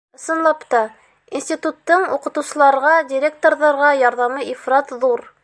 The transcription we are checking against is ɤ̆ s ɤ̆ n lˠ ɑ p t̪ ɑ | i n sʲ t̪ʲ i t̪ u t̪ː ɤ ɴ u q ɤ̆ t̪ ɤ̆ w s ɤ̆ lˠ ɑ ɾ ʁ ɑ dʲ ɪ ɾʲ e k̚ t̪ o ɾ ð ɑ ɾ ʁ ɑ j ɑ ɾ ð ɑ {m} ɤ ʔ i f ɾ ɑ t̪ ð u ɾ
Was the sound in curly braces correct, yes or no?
yes